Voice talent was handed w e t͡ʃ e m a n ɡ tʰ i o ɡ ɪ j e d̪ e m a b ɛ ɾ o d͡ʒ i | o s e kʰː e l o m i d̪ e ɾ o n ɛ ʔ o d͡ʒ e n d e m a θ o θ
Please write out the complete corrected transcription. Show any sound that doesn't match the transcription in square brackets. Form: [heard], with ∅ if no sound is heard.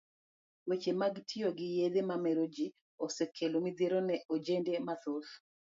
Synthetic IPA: w e t͡ʃ e m a [∅] ɡ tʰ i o ɡ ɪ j e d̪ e m a [m] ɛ ɾ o d͡ʒ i | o s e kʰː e l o m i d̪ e ɾ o n ɛ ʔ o d͡ʒ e n d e m a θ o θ